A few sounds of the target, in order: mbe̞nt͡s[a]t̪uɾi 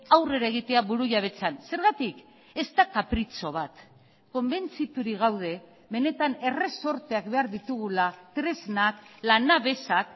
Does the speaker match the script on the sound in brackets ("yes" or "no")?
no